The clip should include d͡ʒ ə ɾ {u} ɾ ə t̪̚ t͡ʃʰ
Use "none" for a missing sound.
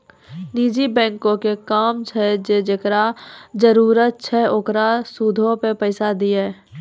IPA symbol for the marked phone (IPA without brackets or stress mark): uː